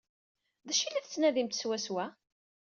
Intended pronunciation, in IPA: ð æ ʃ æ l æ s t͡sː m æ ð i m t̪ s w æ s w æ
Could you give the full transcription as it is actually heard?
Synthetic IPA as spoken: ð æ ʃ i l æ θ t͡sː n æ ð i m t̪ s w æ s w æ

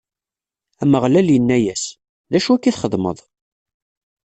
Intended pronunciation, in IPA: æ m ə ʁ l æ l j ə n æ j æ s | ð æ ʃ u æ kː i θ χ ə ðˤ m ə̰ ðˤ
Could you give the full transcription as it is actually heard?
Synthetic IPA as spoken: æ m ə ʁ l æ l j ə nː æ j æ s | ð æ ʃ u æ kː i θ χ ə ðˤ m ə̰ ðˤ

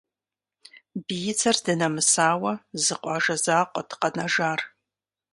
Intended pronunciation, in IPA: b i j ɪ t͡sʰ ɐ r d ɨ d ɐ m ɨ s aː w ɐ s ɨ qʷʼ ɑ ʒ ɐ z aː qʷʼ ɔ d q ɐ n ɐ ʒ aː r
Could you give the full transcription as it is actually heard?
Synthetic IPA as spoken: b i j ɪ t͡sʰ ɐ r d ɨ n ɐ m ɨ s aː w ɐ z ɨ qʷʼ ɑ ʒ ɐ z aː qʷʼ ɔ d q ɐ n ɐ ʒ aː r

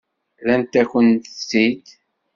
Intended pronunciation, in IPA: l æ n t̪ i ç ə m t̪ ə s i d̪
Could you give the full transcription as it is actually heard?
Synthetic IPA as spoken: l æ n t̪ æ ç ə n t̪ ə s i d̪

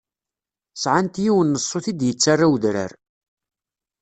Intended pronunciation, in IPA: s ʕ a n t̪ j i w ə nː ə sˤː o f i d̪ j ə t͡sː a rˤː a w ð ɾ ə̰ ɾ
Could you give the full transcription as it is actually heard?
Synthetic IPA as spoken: s ʕ a n t̪ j i w ə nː ə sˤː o θ i d̪ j ə t͡sː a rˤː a w ð ɾ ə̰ ɾ

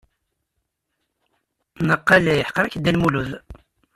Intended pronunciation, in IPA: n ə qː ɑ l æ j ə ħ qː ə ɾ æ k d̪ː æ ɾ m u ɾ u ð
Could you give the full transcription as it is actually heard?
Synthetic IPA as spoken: n ə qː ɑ l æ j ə ħ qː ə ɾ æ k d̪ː æ l m u l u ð

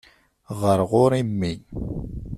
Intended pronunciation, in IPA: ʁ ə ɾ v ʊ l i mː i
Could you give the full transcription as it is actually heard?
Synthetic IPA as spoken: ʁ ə ɾ ʁ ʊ ɾ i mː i

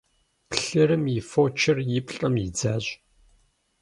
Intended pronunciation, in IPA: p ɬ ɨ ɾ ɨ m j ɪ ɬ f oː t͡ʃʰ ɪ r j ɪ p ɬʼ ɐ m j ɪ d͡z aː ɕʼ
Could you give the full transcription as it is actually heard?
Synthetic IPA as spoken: p ɬ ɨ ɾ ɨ m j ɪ f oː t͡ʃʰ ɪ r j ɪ p ɬʼ ɐ m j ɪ d͡z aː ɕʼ

